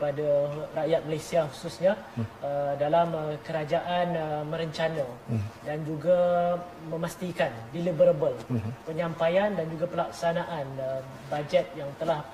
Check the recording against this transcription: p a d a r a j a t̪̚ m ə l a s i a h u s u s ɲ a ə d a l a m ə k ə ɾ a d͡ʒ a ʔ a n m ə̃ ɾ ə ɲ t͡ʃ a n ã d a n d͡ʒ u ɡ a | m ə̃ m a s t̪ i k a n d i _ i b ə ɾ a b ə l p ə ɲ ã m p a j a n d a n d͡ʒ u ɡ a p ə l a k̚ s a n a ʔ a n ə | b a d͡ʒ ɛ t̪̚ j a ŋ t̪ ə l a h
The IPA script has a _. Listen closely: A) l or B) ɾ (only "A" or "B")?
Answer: A